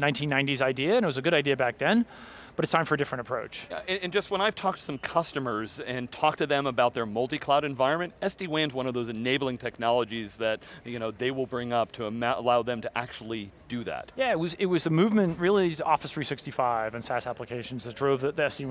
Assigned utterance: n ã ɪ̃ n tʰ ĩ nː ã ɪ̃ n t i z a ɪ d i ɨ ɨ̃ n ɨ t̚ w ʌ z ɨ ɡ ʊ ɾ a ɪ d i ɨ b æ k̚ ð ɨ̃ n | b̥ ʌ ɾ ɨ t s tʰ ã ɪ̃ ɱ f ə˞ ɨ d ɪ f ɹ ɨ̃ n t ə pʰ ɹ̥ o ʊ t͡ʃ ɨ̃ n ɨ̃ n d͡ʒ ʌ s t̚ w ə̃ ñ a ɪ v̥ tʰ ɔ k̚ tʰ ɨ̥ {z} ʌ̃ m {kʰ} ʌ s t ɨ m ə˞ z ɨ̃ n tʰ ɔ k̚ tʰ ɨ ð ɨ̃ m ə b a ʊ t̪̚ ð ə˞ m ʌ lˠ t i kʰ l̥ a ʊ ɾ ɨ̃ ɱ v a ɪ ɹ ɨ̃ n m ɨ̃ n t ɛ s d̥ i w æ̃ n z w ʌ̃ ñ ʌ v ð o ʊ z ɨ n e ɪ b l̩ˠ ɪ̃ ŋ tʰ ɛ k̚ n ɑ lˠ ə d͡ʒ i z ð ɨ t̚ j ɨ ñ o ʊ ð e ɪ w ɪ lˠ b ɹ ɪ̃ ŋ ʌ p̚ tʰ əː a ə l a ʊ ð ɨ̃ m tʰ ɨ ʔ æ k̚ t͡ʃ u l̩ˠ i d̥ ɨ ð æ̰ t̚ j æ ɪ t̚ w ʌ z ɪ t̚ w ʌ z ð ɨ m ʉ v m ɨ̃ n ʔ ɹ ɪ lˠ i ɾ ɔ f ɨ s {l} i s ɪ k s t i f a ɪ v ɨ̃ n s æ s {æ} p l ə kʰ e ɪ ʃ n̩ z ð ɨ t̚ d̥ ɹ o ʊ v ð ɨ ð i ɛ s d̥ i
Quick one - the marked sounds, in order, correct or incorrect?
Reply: incorrect, correct, incorrect, correct

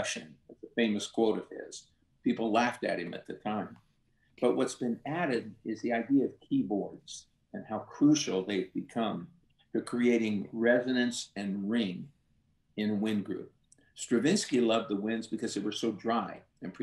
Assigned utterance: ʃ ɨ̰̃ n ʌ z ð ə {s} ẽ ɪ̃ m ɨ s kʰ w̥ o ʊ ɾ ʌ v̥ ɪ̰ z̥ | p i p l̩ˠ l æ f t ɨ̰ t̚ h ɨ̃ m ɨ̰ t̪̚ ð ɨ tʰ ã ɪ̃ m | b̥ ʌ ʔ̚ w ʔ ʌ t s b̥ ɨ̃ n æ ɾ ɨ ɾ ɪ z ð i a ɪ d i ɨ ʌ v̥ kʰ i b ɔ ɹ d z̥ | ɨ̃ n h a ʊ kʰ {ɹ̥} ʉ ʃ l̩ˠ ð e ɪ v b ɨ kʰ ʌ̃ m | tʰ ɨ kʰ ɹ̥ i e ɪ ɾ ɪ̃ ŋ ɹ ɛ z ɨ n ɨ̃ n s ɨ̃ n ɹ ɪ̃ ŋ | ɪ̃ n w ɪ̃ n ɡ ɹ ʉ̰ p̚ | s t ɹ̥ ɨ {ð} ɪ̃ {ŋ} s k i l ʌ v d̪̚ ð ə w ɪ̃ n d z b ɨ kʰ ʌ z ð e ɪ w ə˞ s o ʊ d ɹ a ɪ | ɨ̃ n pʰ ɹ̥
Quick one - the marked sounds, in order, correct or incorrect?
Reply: incorrect, correct, incorrect, incorrect

